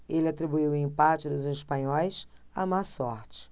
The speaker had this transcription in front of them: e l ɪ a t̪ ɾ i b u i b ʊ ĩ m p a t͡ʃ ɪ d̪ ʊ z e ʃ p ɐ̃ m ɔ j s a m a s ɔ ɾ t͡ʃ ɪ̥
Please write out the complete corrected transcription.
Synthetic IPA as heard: e l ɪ a t̪ ɾ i b u i w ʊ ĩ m p a t͡ʃ ɪ d̪ ʊ z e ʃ p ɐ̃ ɲ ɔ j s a m a s ɔ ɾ t͡ʃ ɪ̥